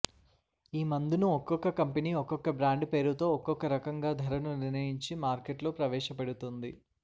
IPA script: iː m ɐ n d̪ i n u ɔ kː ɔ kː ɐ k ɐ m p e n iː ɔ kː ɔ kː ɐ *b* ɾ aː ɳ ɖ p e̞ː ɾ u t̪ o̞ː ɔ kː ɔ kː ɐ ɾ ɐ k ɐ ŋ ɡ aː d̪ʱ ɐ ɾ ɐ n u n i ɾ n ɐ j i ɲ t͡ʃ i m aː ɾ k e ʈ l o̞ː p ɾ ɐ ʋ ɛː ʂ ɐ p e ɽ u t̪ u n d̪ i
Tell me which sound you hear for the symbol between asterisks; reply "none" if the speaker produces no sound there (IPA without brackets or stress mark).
b